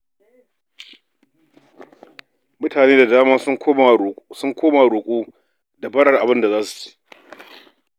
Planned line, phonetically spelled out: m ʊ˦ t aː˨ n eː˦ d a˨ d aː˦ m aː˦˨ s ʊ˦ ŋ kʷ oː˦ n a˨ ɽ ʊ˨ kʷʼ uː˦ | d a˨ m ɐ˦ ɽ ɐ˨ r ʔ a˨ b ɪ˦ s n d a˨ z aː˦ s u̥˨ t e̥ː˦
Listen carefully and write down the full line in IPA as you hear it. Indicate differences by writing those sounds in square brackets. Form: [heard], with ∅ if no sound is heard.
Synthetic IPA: m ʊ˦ t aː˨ n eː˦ d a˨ d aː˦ m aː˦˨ s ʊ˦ ŋ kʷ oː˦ [m] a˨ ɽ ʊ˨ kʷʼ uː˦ | d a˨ [b] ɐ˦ ɽ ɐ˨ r ʔ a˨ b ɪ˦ [∅] n d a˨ z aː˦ s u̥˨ [t͡ʃ] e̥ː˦